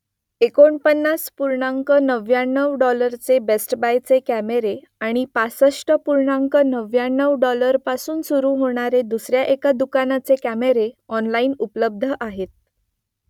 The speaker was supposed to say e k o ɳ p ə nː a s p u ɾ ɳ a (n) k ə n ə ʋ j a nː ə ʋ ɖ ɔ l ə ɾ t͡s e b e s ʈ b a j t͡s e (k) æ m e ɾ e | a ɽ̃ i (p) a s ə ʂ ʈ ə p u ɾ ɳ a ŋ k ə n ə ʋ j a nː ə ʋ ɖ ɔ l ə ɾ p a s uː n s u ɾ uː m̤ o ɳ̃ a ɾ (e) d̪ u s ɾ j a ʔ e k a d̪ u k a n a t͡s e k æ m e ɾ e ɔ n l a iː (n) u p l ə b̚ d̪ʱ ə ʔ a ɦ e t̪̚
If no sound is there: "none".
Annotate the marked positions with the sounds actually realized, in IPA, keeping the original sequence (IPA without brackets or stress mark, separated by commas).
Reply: ŋ, k, p, e, n